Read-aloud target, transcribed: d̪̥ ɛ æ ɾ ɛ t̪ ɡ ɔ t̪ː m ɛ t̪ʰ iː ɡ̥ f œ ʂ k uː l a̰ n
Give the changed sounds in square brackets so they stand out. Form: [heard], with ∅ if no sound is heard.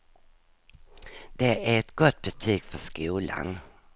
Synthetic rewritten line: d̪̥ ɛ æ ɾ ɛ t̪ ɡ ɔ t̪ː [b] ɛ t̪ʰ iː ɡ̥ f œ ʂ k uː l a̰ n